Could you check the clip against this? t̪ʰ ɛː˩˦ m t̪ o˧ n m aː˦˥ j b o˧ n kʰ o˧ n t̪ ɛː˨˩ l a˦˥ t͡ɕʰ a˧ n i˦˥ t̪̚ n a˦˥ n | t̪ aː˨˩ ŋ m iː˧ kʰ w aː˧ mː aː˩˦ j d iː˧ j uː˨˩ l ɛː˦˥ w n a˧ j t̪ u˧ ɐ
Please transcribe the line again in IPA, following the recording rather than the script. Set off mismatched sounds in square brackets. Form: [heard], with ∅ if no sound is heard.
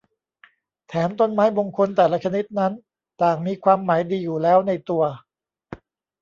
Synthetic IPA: t̪ʰ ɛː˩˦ m t̪ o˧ n m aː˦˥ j b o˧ [ŋ] kʰ o˧ n t̪ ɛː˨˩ l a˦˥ t͡ɕʰ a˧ n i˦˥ t̪̚ n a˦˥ n | t̪ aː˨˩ ŋ m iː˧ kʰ w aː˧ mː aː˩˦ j d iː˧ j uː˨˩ l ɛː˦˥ w n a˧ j t̪ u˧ ɐ

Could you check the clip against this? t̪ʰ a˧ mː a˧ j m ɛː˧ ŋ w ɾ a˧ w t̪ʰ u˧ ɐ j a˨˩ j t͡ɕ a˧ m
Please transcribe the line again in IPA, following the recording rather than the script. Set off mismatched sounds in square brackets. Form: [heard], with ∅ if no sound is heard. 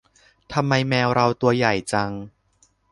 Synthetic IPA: t̪ʰ a˧ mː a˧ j m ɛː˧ [∅] w ɾ a˧ w [t̪] u˧ ɐ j a˨˩ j t͡ɕ a˧ [ŋ]

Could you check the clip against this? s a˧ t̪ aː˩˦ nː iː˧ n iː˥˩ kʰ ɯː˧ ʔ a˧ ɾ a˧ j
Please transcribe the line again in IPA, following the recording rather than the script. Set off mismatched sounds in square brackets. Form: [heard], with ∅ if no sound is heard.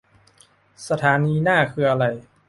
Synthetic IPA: s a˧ [t̪ʰ] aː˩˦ [n] iː˧ n [aː˥˩] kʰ ɯː˧ ʔ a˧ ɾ a˧ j

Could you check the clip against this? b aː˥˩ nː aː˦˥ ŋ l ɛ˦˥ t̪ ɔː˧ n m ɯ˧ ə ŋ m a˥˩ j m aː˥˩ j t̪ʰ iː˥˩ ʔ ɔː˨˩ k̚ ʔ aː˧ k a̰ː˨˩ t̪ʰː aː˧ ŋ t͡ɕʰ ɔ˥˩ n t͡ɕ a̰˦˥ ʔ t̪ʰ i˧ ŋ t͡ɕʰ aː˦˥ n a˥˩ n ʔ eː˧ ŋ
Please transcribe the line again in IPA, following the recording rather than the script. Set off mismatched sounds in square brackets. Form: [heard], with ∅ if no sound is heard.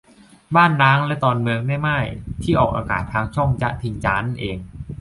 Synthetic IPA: b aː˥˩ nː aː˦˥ ŋ l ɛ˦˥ t̪ ɔː˧ n m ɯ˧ ə ŋ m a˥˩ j m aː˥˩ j t̪ʰ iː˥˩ ʔ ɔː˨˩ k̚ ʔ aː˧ k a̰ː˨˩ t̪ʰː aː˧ ŋ t͡ɕʰ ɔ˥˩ [ŋ] t͡ɕ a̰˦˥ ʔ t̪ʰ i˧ ŋ [t͡ɕ] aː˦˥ n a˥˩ n ʔ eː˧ ŋ

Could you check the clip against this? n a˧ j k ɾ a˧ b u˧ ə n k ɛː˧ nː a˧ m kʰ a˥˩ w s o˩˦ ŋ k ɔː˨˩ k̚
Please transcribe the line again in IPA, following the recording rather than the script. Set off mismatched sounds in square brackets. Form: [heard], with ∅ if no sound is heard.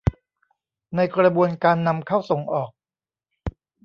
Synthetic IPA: n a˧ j k ɾ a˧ b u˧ ə n k [aː˧] nː a˧ m kʰ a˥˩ w s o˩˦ ŋ [ʔ] ɔː˨˩ k̚

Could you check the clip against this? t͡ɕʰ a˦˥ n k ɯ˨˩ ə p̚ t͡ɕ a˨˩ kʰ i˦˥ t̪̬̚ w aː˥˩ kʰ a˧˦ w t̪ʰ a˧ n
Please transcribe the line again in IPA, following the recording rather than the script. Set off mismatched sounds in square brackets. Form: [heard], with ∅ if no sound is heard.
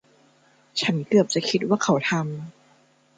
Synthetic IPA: t͡ɕʰ a˦˥ n k ɯ˨˩ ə p̚ t͡ɕ a˨˩ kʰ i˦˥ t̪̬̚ w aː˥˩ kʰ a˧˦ w t̪ʰ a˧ [m]

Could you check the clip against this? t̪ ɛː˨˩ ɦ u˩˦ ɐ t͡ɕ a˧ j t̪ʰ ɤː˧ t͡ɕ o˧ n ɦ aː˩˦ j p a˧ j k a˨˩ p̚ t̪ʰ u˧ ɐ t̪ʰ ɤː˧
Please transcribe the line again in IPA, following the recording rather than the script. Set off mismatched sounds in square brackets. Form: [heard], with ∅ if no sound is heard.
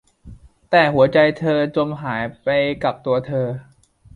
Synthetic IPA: t̪ ɛː˨˩ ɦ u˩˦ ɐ t͡ɕ a˧ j t̪ʰ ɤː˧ t͡ɕ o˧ [m] ɦ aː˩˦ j p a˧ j k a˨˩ p̚ [t̪] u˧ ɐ t̪ʰ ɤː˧

